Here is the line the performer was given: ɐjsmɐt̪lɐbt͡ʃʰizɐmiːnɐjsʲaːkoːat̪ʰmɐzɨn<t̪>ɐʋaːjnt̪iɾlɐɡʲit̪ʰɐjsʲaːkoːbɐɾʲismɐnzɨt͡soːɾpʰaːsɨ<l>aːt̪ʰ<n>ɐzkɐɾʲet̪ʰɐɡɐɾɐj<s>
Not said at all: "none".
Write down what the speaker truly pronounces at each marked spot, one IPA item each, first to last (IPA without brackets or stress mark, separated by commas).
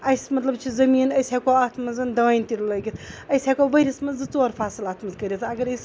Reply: d̪, l, m, s